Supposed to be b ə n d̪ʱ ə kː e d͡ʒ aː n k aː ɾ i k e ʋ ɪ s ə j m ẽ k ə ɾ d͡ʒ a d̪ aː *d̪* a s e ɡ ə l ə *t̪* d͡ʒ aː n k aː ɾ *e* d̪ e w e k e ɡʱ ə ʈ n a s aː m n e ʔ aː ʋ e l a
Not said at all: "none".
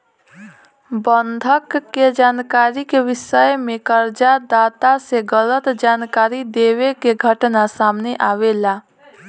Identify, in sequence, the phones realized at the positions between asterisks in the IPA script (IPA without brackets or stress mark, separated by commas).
t̪, t̪, i